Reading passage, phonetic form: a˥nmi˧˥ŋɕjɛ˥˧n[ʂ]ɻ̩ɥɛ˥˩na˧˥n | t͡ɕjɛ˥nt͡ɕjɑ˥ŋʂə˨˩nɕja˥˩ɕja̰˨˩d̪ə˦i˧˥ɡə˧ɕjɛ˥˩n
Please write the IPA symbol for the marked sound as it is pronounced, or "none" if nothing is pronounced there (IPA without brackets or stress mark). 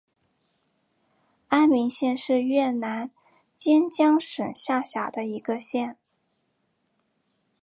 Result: ʂ